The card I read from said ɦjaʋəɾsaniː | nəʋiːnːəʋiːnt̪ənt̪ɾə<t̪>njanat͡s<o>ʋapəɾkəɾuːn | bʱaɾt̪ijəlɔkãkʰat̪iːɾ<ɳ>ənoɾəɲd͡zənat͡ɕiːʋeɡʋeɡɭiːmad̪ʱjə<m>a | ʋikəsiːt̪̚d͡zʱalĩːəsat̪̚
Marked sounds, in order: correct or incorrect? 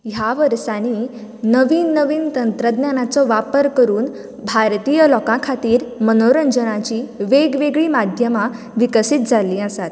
incorrect, incorrect, incorrect, correct

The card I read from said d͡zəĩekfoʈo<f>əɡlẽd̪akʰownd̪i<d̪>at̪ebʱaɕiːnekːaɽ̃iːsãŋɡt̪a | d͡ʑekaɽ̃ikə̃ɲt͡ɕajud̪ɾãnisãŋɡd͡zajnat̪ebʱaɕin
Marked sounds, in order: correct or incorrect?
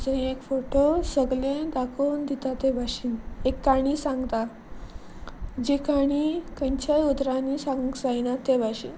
incorrect, incorrect

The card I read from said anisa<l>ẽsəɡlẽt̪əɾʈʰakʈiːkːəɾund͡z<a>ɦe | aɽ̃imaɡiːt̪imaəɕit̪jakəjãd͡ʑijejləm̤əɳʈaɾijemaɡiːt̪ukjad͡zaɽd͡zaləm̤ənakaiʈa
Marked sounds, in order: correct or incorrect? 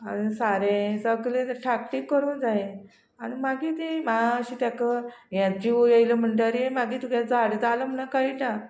incorrect, correct

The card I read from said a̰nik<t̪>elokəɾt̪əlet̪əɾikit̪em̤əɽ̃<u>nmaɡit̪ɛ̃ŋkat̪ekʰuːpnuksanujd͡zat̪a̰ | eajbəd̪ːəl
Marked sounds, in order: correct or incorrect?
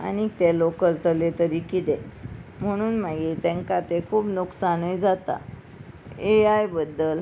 correct, incorrect

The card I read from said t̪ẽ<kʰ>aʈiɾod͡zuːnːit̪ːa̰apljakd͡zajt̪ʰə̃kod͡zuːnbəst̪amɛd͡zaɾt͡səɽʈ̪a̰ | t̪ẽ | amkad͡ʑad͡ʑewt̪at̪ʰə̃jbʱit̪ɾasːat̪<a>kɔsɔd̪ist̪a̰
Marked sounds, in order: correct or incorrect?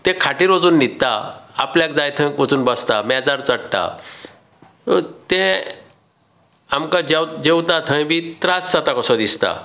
correct, correct

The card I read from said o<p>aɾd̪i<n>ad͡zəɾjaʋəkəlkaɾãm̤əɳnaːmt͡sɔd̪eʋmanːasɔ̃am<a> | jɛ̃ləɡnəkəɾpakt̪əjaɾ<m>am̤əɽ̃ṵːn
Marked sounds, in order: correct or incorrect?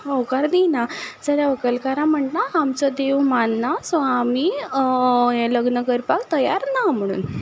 incorrect, correct, incorrect, incorrect

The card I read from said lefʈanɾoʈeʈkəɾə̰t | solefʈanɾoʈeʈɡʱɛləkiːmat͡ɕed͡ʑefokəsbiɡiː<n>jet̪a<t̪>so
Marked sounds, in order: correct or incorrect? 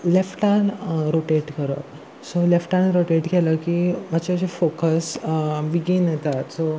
correct, correct

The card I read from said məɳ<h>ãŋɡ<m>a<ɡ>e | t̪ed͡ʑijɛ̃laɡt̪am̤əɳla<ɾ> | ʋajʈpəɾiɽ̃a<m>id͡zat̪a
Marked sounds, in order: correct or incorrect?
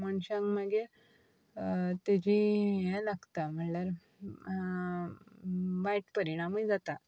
incorrect, correct, correct, correct, correct

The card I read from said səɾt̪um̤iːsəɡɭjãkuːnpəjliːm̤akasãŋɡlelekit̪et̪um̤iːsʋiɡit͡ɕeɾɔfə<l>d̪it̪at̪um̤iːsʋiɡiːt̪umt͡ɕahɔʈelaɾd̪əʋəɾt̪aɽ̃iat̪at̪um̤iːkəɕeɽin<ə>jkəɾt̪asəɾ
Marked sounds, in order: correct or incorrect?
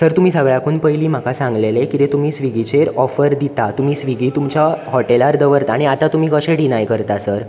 incorrect, incorrect

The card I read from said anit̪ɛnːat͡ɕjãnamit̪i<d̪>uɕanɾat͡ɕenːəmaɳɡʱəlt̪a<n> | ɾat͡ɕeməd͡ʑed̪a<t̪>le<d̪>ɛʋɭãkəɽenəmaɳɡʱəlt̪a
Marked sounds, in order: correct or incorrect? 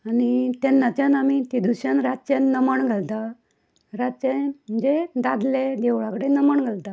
correct, incorrect, incorrect, correct

